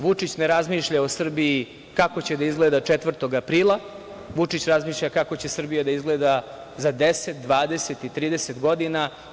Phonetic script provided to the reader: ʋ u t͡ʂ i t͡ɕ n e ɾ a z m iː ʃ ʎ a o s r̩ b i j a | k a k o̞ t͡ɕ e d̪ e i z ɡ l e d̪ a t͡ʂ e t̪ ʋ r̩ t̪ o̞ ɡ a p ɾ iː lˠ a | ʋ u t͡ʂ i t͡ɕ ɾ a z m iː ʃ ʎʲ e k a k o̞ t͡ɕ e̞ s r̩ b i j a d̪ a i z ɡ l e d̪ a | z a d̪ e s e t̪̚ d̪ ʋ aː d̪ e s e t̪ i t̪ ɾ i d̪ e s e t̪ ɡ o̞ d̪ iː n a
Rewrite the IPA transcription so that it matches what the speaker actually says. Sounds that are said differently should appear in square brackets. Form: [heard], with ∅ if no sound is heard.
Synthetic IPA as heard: ʋ u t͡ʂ i t͡ɕ n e ɾ a z m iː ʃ ʎ a o s r̩ b i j [i] | k a k o̞ t͡ɕ e d̪ [a] i z ɡ l e d̪ a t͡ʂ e t̪ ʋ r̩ t̪ o̞ ɡ a p ɾ iː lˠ a | ʋ u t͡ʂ i t͡ɕ ɾ a z m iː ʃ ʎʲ [a] k a k o̞ t͡ɕ e̞ s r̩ b i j a d̪ a i z ɡ l e d̪ a | z a d̪ e s e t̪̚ d̪ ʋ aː d̪ e s e t̪ i t̪ ɾ [iː] d̪ e s e t̪ ɡ o̞ d̪ [i] n a